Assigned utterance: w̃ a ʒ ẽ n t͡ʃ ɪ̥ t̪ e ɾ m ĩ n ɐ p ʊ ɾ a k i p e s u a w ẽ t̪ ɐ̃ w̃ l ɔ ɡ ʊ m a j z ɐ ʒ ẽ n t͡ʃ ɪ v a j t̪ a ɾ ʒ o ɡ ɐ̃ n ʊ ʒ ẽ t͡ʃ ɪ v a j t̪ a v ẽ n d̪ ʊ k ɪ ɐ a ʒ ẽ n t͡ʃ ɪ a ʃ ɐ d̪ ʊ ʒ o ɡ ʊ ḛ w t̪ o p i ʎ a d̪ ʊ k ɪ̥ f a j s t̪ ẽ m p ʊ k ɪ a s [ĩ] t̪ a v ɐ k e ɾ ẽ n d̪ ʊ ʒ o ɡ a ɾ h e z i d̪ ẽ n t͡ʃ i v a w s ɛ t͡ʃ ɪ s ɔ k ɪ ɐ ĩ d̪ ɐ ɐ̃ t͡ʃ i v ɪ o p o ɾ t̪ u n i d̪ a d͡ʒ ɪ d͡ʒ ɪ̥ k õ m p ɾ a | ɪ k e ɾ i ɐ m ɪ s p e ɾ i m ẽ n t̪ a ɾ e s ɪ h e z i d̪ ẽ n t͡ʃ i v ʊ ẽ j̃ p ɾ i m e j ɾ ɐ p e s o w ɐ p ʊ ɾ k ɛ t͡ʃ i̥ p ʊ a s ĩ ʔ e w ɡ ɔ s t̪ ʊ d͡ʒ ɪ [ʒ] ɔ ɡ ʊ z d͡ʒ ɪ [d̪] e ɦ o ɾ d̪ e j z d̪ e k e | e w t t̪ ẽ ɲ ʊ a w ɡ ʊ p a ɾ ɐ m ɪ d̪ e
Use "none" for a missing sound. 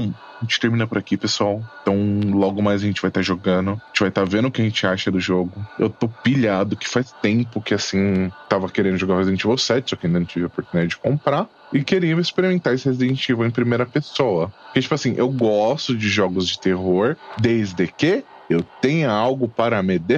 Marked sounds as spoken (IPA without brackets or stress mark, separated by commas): ĩ, ʒ, t̪